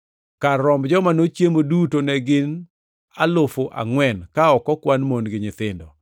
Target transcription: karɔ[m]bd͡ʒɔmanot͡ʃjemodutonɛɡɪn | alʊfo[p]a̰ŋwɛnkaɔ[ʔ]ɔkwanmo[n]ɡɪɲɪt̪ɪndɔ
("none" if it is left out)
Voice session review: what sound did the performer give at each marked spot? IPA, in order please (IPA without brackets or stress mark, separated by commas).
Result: m, ʔ, k, n